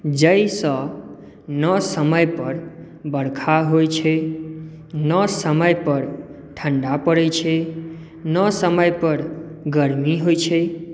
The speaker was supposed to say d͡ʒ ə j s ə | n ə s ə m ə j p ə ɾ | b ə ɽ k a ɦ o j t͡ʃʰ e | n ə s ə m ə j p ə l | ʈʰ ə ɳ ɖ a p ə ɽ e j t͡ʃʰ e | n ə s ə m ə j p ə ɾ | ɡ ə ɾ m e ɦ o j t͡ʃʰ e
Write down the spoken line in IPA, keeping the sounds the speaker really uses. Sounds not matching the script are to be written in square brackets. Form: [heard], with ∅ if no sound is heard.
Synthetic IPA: d͡ʒ ə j s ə | n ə s ə m ə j p ə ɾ | b ə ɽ [kʰ] a ɦ o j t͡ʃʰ e | n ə s ə m ə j p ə [ɾ] | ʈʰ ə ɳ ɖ a p ə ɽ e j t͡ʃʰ e | n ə s ə m ə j p ə ɾ | ɡ ə ɾ m [i] ɦ o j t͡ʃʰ e